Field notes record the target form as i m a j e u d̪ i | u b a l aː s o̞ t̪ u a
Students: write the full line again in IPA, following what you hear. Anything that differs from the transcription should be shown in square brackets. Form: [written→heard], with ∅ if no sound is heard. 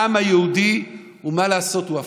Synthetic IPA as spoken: [i→a] m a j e u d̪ i | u [b→m] a l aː s o̞ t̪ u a